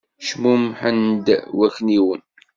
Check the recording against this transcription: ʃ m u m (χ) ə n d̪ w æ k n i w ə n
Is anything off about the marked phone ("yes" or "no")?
yes